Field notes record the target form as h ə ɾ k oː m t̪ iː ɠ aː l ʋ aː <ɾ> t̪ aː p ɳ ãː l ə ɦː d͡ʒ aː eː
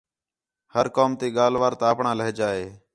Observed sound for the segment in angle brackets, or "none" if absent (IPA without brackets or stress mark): ɾ